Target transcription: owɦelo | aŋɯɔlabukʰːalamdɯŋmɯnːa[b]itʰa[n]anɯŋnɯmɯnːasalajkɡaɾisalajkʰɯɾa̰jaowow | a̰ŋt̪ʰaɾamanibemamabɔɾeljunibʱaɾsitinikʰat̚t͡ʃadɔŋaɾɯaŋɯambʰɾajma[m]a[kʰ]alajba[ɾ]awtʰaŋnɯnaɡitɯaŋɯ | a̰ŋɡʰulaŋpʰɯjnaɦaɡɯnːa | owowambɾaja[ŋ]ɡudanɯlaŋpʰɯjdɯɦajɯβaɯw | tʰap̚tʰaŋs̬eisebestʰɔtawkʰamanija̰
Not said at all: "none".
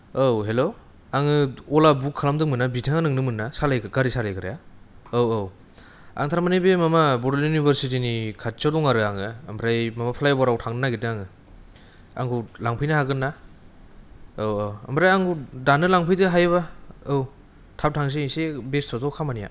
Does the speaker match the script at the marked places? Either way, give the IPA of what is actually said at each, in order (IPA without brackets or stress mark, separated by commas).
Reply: b, ŋ, m, pʰ, ɾ, ŋ